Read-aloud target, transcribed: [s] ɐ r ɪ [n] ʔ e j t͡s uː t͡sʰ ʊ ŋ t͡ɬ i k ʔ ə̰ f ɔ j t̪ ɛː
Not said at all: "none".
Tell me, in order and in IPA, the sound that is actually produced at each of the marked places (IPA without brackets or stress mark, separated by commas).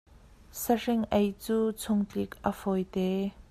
s, ŋ